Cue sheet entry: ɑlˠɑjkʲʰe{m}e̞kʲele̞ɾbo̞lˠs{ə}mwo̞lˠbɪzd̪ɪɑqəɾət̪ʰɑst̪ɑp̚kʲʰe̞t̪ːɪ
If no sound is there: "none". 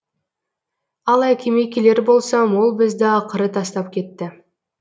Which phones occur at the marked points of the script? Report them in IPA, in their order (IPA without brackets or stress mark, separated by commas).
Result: m, ɑ